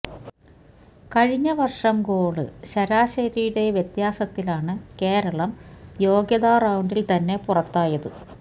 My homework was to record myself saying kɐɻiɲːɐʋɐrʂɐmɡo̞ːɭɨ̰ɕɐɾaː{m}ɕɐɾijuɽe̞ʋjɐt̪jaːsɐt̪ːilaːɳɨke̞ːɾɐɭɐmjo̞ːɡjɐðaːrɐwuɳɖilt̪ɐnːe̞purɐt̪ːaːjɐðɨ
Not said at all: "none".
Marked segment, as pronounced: none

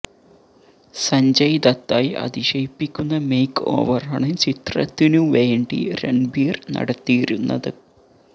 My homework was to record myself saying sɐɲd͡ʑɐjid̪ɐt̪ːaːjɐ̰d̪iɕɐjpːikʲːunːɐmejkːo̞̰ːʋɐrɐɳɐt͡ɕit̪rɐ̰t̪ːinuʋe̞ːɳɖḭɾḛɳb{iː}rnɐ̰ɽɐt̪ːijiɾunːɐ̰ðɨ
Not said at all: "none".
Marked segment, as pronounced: iː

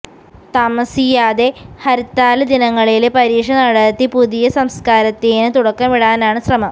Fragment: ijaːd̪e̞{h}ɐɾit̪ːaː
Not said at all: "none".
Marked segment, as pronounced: h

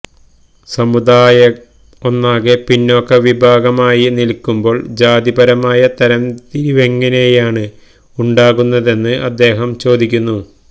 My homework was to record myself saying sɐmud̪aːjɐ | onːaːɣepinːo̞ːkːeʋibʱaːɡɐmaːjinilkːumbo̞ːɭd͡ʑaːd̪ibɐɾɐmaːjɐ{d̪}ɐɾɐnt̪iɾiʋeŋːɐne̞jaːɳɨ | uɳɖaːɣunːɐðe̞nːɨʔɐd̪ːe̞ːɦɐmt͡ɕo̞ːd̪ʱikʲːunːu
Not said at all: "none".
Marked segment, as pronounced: t̪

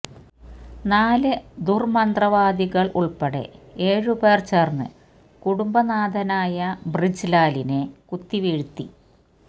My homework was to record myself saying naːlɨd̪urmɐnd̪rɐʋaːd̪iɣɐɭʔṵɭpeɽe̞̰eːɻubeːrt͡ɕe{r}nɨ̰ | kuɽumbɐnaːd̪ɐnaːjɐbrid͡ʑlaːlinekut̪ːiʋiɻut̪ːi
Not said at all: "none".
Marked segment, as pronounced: r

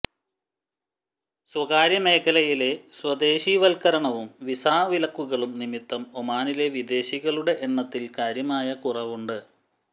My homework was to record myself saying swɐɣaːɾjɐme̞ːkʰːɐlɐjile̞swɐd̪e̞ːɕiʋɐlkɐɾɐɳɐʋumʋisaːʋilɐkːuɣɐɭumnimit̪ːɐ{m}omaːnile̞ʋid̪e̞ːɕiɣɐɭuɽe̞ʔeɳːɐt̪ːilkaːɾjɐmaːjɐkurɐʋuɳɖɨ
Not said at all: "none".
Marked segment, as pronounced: m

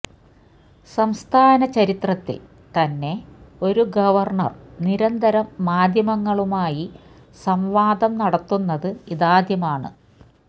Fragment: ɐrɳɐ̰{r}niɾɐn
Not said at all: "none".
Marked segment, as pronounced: r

